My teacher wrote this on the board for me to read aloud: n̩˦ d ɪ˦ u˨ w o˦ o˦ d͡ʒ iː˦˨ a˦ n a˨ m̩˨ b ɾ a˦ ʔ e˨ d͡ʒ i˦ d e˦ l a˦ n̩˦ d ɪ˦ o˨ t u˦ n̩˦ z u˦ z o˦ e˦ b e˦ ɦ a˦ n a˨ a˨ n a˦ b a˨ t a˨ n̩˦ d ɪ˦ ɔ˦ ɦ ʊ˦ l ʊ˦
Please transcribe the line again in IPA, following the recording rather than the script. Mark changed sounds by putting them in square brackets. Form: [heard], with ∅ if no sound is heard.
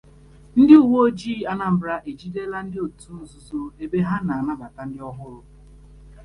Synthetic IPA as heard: n̩˦ d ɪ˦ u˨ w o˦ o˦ d͡ʒ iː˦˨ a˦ n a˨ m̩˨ b ɾ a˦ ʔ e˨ d͡ʒ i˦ d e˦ l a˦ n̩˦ d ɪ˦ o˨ t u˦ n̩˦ z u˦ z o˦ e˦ b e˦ ɦ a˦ n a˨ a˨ n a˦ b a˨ t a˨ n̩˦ d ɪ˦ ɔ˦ ɦ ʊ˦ [ɾ] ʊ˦